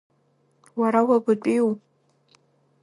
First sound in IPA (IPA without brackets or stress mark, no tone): w